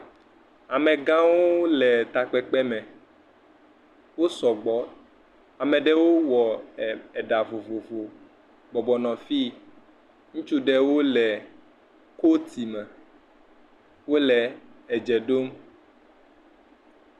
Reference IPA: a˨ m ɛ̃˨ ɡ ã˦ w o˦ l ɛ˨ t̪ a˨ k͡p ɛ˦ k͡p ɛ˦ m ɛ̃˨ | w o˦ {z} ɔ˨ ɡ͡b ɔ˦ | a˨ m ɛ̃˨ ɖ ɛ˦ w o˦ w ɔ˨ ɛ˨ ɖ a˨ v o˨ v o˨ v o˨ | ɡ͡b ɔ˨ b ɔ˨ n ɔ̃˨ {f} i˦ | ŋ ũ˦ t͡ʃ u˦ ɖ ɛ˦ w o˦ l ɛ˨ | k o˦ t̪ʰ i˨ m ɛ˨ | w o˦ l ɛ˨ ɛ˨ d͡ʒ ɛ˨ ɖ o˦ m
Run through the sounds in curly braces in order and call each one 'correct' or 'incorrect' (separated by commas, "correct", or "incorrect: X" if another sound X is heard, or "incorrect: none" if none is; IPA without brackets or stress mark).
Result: incorrect: s, correct